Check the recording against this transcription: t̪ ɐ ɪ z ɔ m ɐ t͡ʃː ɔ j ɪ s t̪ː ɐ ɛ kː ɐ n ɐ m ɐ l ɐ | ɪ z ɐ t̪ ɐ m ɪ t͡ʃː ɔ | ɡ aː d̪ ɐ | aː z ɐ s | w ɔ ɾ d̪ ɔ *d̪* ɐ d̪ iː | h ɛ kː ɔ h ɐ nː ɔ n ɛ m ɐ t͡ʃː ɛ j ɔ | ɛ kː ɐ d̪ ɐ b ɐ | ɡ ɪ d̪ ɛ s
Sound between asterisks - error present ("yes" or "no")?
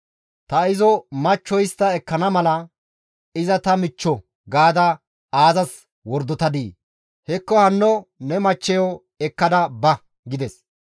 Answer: yes